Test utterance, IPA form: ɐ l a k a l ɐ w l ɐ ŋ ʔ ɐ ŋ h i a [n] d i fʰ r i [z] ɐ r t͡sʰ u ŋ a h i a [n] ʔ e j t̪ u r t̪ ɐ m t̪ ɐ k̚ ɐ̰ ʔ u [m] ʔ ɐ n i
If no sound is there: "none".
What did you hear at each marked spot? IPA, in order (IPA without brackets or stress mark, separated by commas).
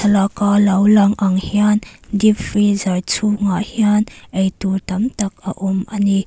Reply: n, z, n, m